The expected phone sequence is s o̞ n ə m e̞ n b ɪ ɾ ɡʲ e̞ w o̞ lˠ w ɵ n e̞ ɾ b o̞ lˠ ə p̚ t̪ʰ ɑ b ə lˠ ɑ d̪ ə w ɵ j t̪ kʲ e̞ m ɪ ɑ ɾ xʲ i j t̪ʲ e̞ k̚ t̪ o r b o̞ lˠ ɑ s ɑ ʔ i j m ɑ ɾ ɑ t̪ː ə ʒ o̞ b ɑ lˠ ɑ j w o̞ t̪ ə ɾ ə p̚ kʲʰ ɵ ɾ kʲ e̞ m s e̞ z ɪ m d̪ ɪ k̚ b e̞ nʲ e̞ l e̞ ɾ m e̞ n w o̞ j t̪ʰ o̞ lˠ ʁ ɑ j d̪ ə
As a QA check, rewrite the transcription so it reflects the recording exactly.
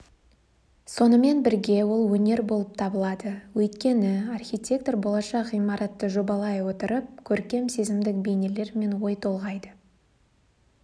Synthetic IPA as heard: s o̞ n ə m e̞ n b ɪ ɾ ɡʲ e̞ w o̞ lˠ w ɵ n e̞ ɾ b o̞ lˠ ə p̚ t̪ʰ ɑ b ə lˠ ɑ d̪ ə w ɵ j t̪ kʲ e̞ n ɪ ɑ r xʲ i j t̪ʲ e̞ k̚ t̪ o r b o̞ lˠ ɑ ʃ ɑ q i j m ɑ ɾ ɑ t̪ː ə ʒ o̞ b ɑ lˠ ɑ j w o̞ t̪ ə ɾ ə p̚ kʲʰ ɵ ɾ kʲ e̞ m s e̞ z ɪ m d̪ ɪ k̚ b e̞ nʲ e̞ l e̞ ɾ m e̞ n w o̞ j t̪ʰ o̞ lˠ ʁ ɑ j d̪ ə

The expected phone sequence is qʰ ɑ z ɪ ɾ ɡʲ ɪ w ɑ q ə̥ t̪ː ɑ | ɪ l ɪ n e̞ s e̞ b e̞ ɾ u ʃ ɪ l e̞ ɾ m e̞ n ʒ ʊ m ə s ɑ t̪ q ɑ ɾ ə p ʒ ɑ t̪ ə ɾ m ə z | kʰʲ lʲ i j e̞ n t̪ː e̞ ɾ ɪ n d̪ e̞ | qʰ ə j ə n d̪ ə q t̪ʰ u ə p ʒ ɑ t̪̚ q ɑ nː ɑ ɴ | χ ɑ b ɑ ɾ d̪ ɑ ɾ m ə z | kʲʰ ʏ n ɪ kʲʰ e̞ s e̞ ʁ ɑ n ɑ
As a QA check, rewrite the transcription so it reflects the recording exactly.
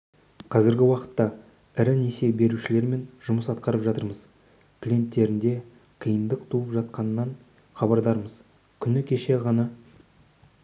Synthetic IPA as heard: qʰ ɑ z ɪ ɾ ɡʲ ɪ w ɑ q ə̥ t̪ː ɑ | ɪ ɾ ɪ n e̞ s e̞ b e̞ ɾ u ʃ ɪ l e̞ ɾ m e̞ n ʒ ʊ m ə s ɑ t̪ q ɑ ɾ ə p ʒ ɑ t̪ ə ɾ m ə z | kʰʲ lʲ i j e̞ n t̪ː e̞ ɾ ɪ n d̪ e̞ | qʰ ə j ə n d̪ ə q t̪ʰ u ə p ʒ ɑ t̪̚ q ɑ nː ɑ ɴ | χ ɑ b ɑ ɾ d̪ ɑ ɾ m ə z | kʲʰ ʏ n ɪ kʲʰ e̞ ʃ e̞ ʁ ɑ n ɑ

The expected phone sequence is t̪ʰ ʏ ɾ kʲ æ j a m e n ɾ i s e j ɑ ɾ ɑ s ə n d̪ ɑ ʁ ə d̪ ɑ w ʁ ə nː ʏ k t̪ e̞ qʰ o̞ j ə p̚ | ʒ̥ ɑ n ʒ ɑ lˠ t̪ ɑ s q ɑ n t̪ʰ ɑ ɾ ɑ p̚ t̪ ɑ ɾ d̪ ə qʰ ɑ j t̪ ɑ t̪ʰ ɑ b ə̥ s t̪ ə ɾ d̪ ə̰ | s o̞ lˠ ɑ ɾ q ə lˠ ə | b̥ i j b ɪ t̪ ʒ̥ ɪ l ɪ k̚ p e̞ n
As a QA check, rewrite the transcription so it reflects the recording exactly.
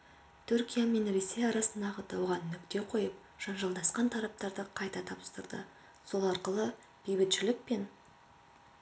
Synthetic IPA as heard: t̪ʰ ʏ ɾ kʲ i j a m e n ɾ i s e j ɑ ɾ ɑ s ə n d̪ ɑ ʁ ə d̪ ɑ w ʁ ɑ nː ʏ k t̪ e̞ qʰ o̞ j ə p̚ | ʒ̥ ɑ n ʒ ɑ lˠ d̪ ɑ s q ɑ n t̪ʰ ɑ ɾ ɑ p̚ t̪ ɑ ɾ d̪ ə qʰ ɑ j t̪ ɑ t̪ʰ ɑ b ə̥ s t̪ ə ɾ d̪ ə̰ | s o̞ lˠ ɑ ɾ q ə lˠ ə | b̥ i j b ɪ t̪ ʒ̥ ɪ l ɪ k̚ p e̞ n

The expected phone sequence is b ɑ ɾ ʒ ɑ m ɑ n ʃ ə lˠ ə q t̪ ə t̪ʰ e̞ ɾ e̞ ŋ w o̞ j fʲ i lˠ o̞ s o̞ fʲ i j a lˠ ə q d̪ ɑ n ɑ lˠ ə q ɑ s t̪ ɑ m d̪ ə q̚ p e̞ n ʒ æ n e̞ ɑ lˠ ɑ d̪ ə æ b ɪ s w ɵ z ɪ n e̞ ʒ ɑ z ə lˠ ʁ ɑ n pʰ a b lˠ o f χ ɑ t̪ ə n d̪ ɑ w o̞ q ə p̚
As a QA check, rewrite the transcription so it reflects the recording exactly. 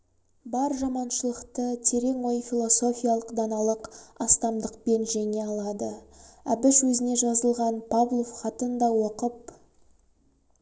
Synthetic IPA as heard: b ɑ ɾ ʒ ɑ m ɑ n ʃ ə lˠ ə q t̪ ə t̪ʰ e̞ ɾ e̞ ŋ w o̞ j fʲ i lˠ o̞ s o̞ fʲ i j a lˠ ə q d̪ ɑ n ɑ lˠ ə q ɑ s t̪ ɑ m d̪ ə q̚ p e̞ n ʒ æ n e̞ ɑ lˠ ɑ d̪ ə æ b ɪ s w ɵ z ɪ n e̞ ʒ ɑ z ə lˠ ʁ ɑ n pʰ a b lˠ o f χ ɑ t̪ ə n d̪ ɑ w o̞ q ə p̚

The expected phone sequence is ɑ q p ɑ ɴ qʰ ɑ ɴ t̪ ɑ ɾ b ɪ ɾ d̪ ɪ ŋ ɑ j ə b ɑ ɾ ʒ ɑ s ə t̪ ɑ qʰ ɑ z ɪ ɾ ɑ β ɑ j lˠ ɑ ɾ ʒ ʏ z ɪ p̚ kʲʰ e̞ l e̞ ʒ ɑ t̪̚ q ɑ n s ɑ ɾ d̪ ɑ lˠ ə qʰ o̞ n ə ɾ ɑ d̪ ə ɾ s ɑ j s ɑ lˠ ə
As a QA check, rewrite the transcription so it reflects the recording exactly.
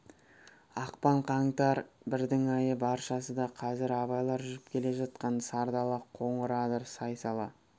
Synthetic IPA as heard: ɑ q p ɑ ɴ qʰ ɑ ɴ t̪ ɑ ɾ b ɪ ɾ d̪ ɪ ŋ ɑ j ə b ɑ ɾ ʃ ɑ s ə d̪ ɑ qʰ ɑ z ɪ ɾ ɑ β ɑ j lˠ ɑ ɾ ʒ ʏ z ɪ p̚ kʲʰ e̞ l e̞ ʒ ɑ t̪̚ q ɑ n s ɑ ɾ d̪ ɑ lˠ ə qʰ o̞ ɴ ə ɾ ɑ d̪ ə ɾ s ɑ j s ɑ lˠ ɑ

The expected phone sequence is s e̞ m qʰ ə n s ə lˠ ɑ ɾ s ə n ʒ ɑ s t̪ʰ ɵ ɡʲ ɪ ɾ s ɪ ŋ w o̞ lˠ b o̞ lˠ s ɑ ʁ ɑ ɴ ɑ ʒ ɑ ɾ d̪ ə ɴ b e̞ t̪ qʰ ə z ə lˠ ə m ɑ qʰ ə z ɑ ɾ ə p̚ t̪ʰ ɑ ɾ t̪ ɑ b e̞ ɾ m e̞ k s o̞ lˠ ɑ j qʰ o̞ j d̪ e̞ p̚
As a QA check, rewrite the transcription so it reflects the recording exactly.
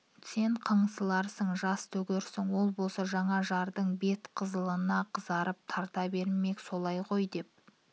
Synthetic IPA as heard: s e̞ ɴ qʰ ə ɴ s ə lˠ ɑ ɾ s ə ɴ ʒ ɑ s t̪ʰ ɵ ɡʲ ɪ ɾ s ɪ ŋ w o̞ lˠ b o̞ lˠ s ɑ ʒ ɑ ɴ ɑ ʒ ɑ ɾ d̪ ə ɴ b e̞ t̪ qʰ ə z ə lˠ ə n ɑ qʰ ə z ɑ ɾ ə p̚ t̪ʰ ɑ ɾ t̪ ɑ b e̞ ɾ m e̞ k s o̞ lˠ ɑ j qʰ o̞ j d̪ e̞ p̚

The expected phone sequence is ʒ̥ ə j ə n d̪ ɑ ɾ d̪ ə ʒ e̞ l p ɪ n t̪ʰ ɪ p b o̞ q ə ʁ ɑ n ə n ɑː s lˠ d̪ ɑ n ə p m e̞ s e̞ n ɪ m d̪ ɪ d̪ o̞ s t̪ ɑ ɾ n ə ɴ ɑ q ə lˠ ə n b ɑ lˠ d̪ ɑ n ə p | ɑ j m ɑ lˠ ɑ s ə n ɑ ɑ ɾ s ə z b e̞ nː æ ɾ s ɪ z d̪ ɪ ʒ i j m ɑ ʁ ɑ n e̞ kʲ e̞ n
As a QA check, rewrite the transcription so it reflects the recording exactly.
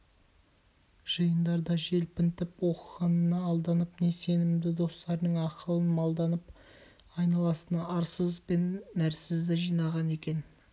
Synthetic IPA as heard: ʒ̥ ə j ə n d̪ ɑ ɾ d̪ ɑ ʒ e̞ l p ɪ n t̪ ɪ p w o̞ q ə ʁ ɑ n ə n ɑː lˠ d̪ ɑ n ə p n e̞ s e̞ n ɪ m d̪ ɪ d̪ o̞ s t̪ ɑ ɾ n ə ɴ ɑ q ə lˠ ə n m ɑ lˠ d̪ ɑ n ə p | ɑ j n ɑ lˠ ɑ s ə n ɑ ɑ ɾ s ə z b e̞ nː æ ɾ s ɪ z d̪ ɪ ʒ i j n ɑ ʁ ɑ n e̞ kʲ e̞ n

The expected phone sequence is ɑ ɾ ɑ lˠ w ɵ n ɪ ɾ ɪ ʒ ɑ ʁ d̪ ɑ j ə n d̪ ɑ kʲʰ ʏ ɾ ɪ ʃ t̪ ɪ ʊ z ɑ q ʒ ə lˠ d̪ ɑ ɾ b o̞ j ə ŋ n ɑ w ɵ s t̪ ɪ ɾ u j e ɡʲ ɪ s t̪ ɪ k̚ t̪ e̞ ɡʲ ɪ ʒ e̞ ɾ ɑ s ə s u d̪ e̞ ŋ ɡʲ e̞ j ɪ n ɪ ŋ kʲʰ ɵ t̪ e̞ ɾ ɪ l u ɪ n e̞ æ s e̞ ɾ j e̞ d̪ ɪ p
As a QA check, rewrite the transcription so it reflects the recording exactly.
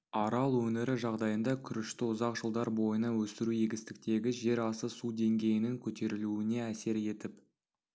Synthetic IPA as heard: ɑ ɾ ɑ lˠ w ɵ n ɪ ɾ ɪ ʒ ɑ ʁ d̪ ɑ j ə n d̪ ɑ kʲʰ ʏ ɾ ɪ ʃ t̪ ɪ ʊ z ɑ q ʒ ə lˠ d̪ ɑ ɾ b o̞ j ə n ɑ w ɵ s t̪ ɪ ɾ u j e ɡʲ ɪ s t̪ ɪ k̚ t̪ e̞ ɡʲ ɪ ʒ e̞ ɾ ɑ s ə s u d̪ e̞ ŋ ɡʲ e̞ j ɪ n ɪ ŋ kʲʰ ɵ t̪ e̞ ɾ ɪ l u ɪ n e̞ æ s e̞ ɾ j e̞ t̪ ɪ p

